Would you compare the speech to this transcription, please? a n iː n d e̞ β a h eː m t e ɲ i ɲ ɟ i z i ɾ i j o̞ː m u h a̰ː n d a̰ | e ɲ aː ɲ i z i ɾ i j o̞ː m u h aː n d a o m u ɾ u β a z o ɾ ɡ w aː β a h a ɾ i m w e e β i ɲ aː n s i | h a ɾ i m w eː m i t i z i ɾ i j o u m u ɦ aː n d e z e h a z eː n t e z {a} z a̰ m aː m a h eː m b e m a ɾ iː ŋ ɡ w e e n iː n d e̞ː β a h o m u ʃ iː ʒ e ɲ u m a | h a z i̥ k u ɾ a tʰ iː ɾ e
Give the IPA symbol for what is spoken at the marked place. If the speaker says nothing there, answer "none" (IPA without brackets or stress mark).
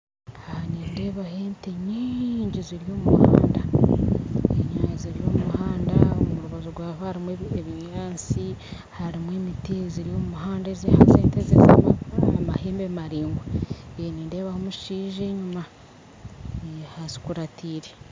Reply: e